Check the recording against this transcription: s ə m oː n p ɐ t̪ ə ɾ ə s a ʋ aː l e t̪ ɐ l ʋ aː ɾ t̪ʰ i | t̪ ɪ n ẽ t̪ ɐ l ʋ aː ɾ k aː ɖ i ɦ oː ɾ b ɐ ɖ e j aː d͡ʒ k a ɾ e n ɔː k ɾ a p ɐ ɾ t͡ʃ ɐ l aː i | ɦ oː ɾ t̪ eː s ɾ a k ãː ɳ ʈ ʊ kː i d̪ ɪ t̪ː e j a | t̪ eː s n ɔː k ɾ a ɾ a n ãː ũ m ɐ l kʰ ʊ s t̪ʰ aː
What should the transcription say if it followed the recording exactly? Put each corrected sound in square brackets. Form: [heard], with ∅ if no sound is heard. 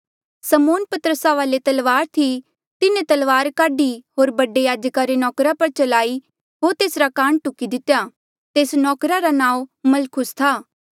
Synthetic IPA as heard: s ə m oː n p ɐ t̪ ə ɾ ə s a ʋ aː l e t̪ ɐ l ʋ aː ɾ t̪ʰ i | t̪ ɪ n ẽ t̪ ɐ l ʋ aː ɾ k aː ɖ i ɦ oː ɾ b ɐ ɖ e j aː d͡ʒ k a ɾ e n ɔː k ɾ a p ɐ ɾ t͡ʃ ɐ l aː i | ɦ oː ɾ t̪ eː s ɾ a k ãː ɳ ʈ ʊ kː i d̪ ɪ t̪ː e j a | t̪ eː s n ɔː k ɾ a ɾ a n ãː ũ m ɐ l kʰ ʊ s t̪ʰ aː